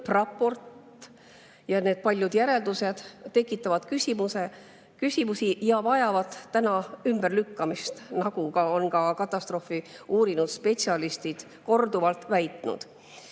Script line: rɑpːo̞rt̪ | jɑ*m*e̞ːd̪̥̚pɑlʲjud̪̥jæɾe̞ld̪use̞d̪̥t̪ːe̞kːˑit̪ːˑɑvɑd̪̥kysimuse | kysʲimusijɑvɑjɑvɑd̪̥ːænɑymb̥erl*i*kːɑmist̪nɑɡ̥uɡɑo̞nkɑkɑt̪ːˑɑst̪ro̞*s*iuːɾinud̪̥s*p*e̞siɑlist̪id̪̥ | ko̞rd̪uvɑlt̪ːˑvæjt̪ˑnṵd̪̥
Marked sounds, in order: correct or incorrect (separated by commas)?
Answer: incorrect, incorrect, incorrect, correct